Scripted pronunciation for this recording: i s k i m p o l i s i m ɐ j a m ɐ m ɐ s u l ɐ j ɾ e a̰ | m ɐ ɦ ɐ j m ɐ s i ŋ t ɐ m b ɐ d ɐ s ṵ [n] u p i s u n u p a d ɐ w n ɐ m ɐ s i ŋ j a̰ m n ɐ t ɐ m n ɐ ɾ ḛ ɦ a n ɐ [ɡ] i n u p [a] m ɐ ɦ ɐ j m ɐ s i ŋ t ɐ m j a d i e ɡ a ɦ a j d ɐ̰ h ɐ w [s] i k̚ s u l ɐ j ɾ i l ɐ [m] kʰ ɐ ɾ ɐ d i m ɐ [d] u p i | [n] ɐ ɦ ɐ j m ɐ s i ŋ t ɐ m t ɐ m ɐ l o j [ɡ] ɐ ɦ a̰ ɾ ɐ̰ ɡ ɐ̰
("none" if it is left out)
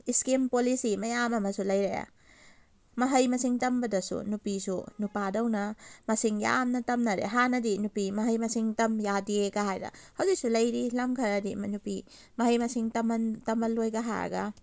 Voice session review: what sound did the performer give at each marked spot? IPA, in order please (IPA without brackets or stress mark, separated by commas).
n, d, i, z, m, n, m, ɡ